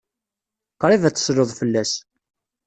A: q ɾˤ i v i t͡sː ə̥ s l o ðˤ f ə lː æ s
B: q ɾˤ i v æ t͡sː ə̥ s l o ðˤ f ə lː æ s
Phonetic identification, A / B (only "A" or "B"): B